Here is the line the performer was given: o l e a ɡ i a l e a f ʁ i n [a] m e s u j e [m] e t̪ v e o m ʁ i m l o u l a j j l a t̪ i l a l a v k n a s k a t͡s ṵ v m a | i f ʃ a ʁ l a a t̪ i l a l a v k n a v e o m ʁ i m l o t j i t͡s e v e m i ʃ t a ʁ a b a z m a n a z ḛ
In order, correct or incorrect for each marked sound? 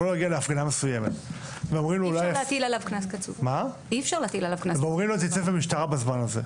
correct, correct

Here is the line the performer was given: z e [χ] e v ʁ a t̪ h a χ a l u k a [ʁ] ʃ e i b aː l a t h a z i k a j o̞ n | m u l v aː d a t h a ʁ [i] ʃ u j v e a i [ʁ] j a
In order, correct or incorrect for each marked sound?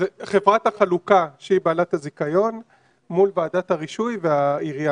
correct, incorrect: none, correct, correct

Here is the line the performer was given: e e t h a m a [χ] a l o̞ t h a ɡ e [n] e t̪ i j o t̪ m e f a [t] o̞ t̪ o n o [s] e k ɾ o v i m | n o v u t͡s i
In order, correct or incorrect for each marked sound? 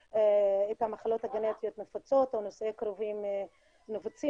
correct, correct, incorrect: t͡s, correct

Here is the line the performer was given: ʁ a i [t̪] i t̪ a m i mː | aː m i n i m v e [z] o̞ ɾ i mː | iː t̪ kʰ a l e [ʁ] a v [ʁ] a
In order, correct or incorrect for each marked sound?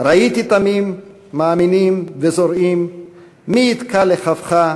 correct, correct, incorrect: χ, incorrect: χ

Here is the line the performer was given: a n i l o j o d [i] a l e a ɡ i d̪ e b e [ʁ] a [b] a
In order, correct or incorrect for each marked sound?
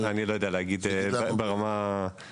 incorrect: e, correct, incorrect: m

